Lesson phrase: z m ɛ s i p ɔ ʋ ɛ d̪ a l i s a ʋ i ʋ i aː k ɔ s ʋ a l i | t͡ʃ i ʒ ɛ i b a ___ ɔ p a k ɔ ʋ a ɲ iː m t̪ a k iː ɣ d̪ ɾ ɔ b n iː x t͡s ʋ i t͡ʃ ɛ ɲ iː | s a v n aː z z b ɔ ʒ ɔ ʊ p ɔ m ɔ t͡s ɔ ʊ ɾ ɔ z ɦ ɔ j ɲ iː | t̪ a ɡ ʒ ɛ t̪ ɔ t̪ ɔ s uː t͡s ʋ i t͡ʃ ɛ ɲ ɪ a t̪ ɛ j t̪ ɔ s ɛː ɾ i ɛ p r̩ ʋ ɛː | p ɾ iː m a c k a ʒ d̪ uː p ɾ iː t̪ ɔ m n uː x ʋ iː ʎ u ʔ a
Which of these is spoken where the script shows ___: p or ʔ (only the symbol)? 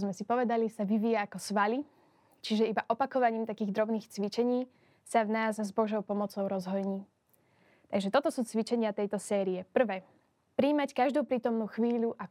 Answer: ʔ